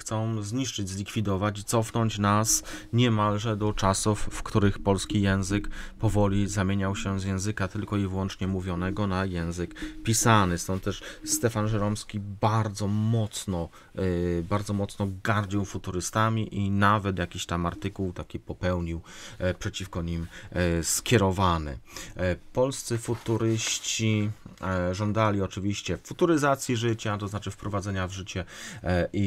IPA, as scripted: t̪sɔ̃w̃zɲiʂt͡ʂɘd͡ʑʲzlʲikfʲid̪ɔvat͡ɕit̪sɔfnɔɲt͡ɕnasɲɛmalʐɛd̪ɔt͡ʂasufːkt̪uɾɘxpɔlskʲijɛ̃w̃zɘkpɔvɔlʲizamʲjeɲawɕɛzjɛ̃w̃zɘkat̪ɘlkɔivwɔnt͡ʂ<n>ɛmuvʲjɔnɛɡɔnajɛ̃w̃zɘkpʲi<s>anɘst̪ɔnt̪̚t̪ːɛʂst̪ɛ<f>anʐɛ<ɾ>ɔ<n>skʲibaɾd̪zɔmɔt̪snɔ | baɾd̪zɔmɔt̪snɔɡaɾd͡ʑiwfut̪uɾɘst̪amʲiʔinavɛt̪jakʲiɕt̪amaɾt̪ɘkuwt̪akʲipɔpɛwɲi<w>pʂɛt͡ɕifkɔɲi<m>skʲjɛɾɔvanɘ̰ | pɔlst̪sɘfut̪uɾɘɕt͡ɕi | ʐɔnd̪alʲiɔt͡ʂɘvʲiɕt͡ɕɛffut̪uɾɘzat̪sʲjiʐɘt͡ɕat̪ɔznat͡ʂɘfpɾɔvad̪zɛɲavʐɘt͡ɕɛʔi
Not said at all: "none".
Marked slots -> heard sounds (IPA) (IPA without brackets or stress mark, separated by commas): ɲ, s, f, ɾ, m, w, m